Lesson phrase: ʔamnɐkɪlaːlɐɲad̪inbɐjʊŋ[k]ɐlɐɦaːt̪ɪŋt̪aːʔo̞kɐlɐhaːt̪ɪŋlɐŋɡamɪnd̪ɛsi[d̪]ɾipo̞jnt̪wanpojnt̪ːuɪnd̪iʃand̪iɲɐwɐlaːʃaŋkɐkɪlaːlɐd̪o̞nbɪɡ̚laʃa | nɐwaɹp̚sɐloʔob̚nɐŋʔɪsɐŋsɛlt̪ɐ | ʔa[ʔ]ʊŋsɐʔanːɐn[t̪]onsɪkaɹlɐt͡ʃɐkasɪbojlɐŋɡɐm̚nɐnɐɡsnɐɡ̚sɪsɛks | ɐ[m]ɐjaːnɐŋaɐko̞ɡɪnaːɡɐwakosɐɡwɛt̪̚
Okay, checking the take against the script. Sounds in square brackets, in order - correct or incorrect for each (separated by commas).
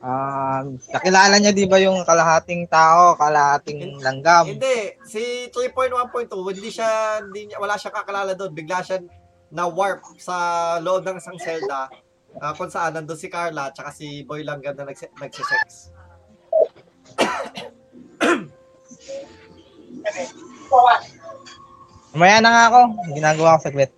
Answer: correct, incorrect, incorrect, incorrect, correct